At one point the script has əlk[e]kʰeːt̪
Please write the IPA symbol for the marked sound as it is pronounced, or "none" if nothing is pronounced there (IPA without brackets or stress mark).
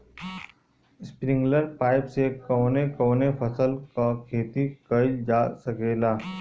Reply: a